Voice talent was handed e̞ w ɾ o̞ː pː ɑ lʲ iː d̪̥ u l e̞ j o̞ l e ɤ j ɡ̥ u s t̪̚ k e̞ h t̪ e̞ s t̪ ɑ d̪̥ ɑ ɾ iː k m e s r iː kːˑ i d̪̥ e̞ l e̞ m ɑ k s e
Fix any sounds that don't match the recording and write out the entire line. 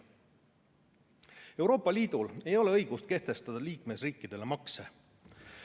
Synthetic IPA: e̞ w ɾ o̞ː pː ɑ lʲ iː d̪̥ u l e̞ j o̞ l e ɤ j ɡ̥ u s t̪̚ k e̞ h t̪ e̞ s t̪ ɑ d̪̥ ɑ l iː k m e s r iː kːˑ i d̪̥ e̞ l e̞ m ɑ k s e